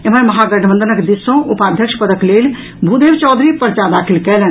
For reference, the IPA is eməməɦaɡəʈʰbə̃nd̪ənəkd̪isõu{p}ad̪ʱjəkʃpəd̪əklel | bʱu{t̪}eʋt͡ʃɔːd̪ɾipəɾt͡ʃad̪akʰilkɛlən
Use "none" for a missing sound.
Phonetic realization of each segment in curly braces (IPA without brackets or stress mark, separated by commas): p, d̪